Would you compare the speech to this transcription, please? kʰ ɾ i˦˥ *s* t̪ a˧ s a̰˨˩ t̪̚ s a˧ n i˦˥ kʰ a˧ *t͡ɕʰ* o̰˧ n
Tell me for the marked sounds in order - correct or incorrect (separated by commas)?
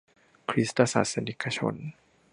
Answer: correct, correct